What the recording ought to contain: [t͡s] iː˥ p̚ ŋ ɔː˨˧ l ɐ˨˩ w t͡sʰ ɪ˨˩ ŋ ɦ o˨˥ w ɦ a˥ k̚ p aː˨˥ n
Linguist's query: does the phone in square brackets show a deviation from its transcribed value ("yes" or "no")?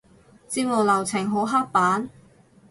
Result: no